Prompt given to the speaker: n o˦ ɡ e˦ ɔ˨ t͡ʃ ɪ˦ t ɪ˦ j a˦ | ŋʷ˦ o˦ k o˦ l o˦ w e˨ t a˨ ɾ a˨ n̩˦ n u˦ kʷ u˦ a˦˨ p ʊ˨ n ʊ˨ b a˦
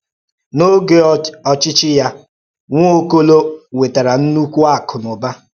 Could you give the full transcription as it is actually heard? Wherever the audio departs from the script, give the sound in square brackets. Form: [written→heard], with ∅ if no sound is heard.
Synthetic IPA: n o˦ ɡ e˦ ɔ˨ t͡ʃ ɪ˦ [t→t͡ʃ] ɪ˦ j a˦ | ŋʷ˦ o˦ k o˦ l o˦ w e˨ t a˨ ɾ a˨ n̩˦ n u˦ kʷ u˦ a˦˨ [p→k] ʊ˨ n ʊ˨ b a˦